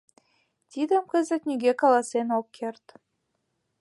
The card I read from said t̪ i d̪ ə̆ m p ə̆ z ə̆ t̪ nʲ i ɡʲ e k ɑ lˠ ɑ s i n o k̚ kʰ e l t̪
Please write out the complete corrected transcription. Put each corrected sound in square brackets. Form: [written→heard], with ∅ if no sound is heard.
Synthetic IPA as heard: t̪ i d̪ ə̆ m [p→k] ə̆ z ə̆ t̪ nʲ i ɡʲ e k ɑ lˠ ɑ s [i→e] n o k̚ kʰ e [l→r] t̪